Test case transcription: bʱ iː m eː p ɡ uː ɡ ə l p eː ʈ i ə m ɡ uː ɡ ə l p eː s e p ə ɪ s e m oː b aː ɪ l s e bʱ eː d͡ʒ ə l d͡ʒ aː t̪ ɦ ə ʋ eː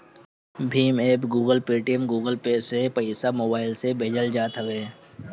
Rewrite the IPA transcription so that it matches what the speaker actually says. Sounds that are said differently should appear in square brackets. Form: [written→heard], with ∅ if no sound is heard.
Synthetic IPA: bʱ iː m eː p ɡ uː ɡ ə l p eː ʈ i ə m ɡ uː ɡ ə l p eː s e p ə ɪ s [e→a] m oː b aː ɪ l s e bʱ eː d͡ʒ ə l d͡ʒ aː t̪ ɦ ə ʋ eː